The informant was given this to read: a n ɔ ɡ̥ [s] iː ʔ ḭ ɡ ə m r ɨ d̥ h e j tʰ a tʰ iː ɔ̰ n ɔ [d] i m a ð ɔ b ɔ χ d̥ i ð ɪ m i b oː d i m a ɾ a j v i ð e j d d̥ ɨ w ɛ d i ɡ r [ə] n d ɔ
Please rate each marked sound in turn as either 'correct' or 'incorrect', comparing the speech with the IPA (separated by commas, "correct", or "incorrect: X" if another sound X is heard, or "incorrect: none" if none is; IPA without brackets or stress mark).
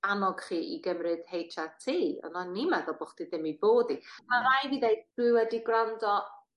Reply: incorrect: χ, incorrect: n, incorrect: a